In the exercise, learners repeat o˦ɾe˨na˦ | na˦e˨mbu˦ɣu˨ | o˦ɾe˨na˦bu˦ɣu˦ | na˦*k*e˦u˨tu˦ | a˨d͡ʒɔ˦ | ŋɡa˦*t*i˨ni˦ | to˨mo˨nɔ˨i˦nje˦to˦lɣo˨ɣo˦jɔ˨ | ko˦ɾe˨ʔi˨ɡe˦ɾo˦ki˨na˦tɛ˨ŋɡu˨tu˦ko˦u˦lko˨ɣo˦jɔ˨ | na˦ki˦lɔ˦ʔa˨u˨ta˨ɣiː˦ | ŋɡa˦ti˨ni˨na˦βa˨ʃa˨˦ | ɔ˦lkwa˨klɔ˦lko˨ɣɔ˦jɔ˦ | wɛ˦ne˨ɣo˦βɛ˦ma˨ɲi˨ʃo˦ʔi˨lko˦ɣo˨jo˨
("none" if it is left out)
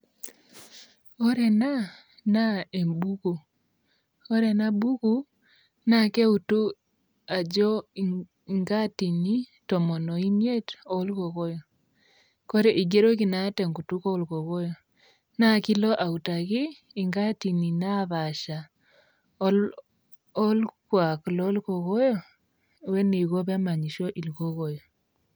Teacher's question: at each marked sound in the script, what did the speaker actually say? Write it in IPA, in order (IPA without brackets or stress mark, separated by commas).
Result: k, t